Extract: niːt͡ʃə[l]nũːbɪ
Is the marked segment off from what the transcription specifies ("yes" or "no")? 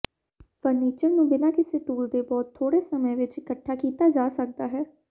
yes